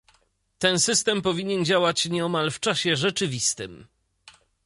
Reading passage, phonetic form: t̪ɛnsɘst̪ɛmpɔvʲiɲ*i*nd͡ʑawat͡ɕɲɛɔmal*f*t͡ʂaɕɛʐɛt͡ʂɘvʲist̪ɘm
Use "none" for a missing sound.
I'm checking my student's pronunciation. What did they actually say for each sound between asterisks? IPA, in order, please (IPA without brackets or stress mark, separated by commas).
ɛ, f